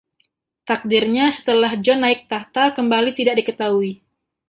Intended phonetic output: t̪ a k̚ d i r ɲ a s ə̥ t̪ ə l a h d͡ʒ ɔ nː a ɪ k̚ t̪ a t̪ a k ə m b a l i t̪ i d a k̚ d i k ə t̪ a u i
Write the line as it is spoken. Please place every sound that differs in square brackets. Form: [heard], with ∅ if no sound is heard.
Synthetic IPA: t̪ a k̚ d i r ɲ a s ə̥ t̪ ə l a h d͡ʒ ɔ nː a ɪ k̚ t̪ a t̪ a k ə m b a l i t̪ i d a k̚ d i k ə t̪ a u i